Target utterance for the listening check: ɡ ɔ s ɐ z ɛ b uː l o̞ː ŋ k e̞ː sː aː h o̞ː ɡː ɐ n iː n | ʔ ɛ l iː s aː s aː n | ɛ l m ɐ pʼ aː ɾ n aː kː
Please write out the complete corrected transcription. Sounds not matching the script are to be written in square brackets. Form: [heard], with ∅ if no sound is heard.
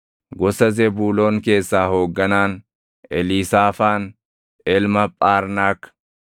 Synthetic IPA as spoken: ɡ ɔ s ɐ z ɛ b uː l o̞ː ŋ k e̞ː sː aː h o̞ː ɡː ɐ n [aː] n | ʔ ɛ l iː s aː [f] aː n | ɛ l m ɐ pʼ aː ɾ n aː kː

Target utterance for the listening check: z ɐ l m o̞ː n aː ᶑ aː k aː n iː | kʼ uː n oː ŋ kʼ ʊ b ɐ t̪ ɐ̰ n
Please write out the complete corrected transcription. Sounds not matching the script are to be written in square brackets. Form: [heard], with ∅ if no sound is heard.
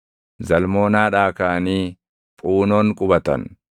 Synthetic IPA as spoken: z ɐ l m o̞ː n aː ᶑ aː k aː n iː | [pʼ] uː n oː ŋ kʼ ʊ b ɐ t̪ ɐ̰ n

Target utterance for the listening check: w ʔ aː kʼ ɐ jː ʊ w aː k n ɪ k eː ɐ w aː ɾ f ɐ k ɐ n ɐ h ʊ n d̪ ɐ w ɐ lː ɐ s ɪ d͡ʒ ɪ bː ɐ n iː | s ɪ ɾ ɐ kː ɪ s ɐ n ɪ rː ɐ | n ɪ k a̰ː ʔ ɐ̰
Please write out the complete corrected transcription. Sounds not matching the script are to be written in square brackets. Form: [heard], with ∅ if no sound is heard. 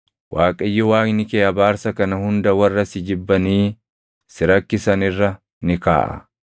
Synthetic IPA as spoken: w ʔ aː kʼ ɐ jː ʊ w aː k n ɪ k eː ɐ [b] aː ɾ [s] ɐ k ɐ n ɐ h ʊ n d̪ ɐ w ɐ [rː] ɐ s ɪ d͡ʒ ɪ bː ɐ n iː | s ɪ ɾ ɐ kː ɪ s ɐ n ɪ rː ɐ | n ɪ k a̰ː ʔ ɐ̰

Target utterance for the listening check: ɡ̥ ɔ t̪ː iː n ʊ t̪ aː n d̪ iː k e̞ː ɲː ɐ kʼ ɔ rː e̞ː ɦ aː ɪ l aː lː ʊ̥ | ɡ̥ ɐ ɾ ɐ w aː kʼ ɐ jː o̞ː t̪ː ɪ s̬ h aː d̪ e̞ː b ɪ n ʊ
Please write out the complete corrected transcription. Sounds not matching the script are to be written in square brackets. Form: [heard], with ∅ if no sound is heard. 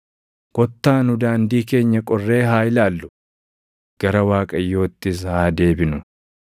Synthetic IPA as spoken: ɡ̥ ɔ t̪ː [aː] n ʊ [d̪] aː n d̪ iː k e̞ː ɲː ɐ kʼ ɔ rː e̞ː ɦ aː ɪ l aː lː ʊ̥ | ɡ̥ ɐ ɾ ɐ w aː kʼ ɐ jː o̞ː t̪ː ɪ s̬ h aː d̪ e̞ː b ɪ n ʊ

